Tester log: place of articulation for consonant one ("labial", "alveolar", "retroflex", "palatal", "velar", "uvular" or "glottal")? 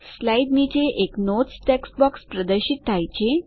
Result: alveolar